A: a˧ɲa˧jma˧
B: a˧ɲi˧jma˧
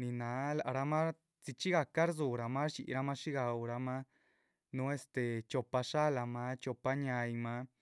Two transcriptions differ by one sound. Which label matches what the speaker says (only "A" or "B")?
A